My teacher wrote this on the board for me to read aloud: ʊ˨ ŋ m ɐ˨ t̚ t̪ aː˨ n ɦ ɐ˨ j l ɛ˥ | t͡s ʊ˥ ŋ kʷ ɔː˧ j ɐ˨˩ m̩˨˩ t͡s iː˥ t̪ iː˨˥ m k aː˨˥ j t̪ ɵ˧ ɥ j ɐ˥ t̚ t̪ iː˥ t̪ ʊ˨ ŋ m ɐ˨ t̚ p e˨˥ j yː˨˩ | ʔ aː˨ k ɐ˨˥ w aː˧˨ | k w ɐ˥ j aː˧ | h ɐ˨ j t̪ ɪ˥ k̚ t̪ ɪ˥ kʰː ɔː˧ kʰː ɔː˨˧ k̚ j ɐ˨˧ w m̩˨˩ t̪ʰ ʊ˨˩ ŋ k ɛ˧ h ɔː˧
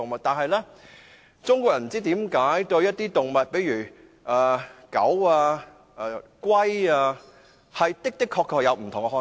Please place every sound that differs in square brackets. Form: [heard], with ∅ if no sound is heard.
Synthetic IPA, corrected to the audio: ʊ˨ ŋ m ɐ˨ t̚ t̪ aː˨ n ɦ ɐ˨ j l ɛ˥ | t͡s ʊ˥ ŋ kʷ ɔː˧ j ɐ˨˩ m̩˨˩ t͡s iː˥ t̪ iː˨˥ m k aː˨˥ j t̪ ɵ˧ ɥ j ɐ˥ t̚ t̪ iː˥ t̪ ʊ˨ ŋ m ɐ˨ t̚ p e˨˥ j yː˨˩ | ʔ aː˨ k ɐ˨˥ w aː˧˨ | k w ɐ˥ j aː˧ | h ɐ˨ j t̪ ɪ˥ k̚ t̪ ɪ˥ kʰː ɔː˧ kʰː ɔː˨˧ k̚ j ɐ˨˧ w m̩˨˩ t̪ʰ ʊ˨˩ ŋ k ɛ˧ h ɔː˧